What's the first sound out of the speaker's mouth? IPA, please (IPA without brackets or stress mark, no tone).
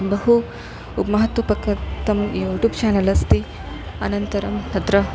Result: b